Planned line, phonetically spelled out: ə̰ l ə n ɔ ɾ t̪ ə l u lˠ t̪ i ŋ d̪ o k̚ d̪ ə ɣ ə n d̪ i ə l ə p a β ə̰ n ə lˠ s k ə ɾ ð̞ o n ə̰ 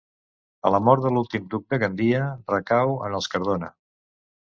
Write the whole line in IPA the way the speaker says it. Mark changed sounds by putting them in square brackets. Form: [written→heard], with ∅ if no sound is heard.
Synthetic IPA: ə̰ l ə [n→m] ɔ ɾ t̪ ə l u lˠ t̪ i [ŋ→m] d̪ [o→u] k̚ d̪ ə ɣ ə n d̪ i ə [l→r] ə [p→k] a [β→w] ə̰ n ə lˠ s k ə ɾ ð̞ o n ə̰